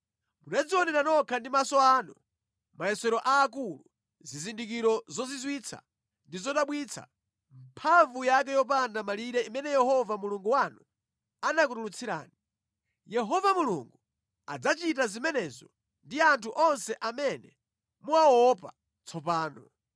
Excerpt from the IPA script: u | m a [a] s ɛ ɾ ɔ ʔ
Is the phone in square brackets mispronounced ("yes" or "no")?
yes